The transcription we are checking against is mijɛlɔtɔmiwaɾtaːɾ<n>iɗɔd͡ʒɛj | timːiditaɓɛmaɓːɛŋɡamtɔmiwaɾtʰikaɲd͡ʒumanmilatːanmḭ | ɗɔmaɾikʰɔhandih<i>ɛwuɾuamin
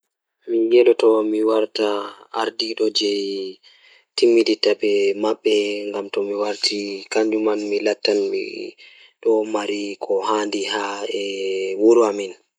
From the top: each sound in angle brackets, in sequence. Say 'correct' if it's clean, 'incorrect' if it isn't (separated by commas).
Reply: incorrect, incorrect